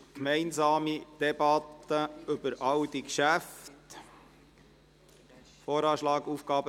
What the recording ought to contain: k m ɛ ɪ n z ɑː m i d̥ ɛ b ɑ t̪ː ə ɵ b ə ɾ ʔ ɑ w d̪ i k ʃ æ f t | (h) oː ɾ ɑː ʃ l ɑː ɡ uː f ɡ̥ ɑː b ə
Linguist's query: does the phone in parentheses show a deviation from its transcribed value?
yes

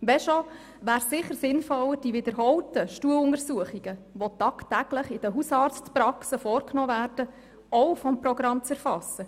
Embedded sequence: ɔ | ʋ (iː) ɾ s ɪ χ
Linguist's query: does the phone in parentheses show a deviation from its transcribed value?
yes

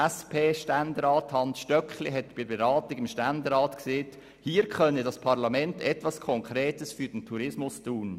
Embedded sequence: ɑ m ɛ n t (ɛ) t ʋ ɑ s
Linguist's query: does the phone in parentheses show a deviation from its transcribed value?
no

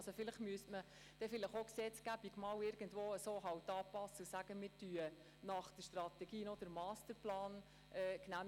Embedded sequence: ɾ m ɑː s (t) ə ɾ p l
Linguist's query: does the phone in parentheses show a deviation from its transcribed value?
no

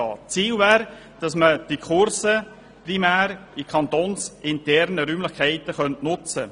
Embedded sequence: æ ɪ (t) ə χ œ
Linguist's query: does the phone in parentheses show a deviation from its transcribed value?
no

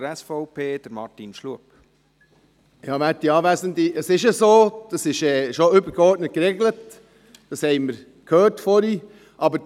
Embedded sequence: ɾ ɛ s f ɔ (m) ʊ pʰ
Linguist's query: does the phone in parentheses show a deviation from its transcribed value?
yes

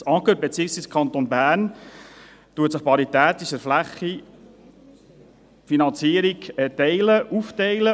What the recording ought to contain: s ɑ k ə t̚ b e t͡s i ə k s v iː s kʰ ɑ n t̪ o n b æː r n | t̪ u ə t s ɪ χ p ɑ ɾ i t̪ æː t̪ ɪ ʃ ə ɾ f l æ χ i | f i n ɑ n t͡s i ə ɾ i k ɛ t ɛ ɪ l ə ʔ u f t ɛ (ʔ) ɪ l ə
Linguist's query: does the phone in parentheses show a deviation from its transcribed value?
yes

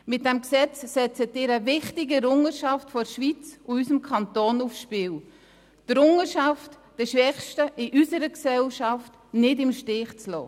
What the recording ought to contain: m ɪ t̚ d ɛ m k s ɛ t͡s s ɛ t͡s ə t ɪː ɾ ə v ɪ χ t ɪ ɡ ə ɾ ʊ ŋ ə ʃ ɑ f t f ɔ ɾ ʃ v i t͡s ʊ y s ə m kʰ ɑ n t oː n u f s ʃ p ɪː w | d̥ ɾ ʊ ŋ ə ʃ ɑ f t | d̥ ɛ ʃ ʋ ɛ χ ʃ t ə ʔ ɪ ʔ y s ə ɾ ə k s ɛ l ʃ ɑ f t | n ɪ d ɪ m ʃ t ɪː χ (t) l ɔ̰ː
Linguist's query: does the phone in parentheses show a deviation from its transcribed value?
yes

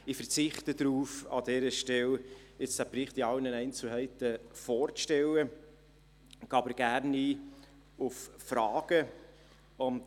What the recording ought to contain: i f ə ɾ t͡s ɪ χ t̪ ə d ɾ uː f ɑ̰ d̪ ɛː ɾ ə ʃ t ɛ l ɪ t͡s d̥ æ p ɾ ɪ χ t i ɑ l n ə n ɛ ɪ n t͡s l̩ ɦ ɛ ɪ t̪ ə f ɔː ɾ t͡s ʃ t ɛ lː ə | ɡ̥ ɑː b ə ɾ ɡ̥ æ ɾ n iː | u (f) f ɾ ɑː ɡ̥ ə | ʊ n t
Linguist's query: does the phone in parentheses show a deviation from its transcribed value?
no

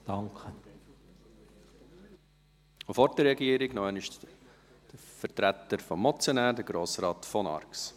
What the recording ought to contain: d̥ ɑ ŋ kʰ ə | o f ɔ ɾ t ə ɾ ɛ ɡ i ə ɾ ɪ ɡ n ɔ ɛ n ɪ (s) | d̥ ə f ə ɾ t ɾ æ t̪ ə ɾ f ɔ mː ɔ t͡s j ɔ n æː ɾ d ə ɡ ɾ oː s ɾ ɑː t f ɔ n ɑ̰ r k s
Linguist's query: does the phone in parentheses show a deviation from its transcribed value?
yes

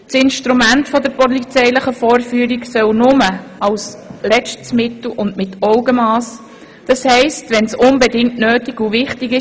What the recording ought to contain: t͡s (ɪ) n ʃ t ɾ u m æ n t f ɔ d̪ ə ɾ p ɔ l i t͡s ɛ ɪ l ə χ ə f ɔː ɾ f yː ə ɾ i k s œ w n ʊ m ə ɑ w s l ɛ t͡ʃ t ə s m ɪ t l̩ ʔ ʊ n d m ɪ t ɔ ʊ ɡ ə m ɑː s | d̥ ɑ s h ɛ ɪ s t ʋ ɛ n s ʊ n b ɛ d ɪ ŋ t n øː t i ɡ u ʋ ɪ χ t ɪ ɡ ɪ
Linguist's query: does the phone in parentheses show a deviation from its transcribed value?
no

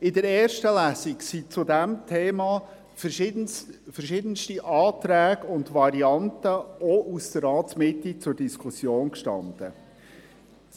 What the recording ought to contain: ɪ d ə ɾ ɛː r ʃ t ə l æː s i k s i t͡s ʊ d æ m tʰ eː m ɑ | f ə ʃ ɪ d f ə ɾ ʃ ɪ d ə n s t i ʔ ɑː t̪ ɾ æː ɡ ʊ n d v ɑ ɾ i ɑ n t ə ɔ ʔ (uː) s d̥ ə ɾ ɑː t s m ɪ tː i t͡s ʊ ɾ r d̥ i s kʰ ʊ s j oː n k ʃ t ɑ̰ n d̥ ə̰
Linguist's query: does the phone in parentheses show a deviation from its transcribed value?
yes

